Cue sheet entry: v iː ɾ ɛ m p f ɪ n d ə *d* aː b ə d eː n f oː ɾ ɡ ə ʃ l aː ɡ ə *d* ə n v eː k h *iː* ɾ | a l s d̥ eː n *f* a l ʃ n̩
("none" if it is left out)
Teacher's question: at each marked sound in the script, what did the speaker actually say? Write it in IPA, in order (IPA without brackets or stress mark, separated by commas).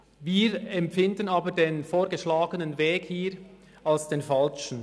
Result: n, n, iː, f